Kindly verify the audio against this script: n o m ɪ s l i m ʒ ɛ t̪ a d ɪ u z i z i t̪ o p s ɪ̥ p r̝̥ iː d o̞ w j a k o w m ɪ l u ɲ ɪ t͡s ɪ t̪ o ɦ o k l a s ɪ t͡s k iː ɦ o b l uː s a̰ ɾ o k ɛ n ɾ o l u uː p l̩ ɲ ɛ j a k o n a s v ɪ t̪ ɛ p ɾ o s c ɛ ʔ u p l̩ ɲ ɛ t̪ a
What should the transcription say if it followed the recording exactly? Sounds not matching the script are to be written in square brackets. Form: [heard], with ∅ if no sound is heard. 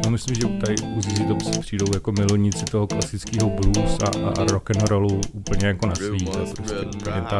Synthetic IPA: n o m ɪ s l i m ʒ ɛ t̪ a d ɪ u z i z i t̪ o p s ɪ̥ p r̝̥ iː d o̞ w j a k o [∅] m ɪ l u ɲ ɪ t͡s ɪ t̪ o ɦ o k l a s ɪ t͡s k iː ɦ o b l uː s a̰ ɾ o k ɛ n ɾ o l u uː p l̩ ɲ ɛ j a k o n a s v [i] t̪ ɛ p ɾ o s c ɛ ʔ u p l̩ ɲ ɛ t̪ a